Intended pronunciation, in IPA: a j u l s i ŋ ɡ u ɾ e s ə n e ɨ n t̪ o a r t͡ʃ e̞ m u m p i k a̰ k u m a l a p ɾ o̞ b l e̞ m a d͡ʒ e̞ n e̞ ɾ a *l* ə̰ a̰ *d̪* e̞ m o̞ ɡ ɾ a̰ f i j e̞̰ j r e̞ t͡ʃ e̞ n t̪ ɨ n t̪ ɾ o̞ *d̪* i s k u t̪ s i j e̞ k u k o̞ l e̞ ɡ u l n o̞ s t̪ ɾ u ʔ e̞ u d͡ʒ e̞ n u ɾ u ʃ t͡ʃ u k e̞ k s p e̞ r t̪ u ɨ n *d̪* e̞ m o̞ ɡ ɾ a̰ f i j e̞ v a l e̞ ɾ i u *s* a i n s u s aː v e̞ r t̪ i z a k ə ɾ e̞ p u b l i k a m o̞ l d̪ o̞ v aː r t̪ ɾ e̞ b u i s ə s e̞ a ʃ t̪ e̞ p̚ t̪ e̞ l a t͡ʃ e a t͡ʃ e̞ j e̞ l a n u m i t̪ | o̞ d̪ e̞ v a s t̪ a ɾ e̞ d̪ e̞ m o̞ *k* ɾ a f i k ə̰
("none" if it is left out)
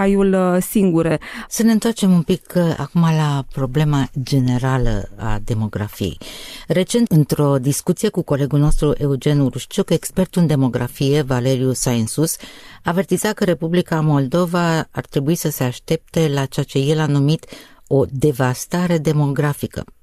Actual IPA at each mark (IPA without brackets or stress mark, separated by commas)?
l, d̪, d̪, d̪, s, ɡ